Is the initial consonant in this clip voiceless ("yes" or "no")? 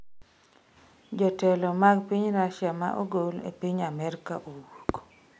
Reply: no